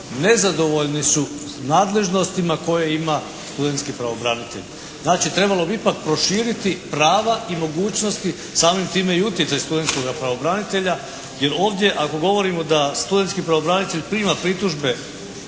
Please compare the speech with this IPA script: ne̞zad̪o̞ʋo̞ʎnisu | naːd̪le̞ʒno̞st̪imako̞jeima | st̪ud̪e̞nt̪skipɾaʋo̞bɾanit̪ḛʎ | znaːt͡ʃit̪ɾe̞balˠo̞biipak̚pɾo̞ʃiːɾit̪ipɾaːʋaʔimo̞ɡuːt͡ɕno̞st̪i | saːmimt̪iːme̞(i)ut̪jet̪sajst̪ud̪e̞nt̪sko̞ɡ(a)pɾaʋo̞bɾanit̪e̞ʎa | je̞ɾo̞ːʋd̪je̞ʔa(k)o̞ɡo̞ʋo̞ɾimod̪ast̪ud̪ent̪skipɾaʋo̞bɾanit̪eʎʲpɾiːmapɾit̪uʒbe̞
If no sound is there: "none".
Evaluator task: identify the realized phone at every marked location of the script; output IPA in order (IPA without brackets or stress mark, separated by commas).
i, a, k